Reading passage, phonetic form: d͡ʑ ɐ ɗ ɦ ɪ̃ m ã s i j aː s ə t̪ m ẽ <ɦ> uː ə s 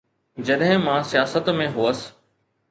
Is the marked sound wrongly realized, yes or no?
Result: no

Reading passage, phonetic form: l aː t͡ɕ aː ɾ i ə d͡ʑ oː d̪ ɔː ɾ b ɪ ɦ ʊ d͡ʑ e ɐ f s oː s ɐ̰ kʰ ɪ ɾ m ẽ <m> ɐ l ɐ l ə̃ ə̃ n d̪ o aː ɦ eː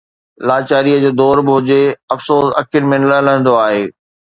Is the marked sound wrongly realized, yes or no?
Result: yes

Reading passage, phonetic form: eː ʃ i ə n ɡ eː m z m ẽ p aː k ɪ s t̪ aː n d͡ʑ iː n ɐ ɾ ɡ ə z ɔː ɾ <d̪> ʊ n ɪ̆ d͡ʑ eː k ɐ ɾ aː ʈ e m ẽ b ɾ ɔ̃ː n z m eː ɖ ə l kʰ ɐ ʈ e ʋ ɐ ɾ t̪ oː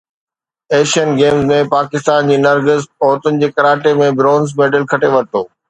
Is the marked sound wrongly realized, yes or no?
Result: yes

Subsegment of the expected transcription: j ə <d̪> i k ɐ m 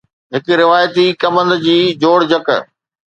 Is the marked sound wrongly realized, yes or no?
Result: yes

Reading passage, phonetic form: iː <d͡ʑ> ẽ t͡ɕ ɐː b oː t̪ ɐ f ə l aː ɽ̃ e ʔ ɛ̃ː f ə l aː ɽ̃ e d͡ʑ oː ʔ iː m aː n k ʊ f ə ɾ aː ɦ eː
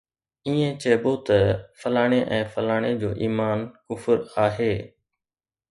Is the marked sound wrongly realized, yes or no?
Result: yes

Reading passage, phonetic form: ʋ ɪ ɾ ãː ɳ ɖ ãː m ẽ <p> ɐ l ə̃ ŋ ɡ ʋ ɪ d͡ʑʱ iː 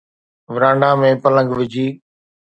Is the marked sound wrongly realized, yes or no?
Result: no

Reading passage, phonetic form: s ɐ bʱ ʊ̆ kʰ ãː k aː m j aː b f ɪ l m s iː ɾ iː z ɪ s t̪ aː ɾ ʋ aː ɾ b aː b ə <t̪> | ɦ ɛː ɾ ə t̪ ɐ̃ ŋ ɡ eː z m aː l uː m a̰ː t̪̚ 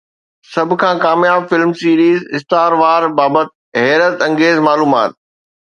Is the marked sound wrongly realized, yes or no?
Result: no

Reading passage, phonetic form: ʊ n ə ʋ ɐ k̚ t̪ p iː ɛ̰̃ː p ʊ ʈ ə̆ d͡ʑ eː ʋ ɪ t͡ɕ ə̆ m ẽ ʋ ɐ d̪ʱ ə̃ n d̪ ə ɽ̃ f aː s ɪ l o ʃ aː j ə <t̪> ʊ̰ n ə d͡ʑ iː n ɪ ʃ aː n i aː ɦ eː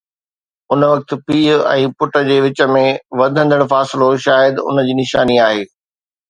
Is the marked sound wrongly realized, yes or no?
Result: yes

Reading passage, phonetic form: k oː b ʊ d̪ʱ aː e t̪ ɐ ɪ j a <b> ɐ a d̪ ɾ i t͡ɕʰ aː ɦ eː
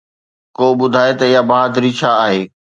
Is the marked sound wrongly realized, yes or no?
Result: no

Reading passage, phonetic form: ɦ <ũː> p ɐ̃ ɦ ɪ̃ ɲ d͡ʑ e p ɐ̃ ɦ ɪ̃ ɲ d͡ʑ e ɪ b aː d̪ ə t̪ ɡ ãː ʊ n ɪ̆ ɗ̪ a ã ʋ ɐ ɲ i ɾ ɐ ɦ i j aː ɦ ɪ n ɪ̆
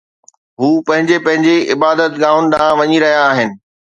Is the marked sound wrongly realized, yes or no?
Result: yes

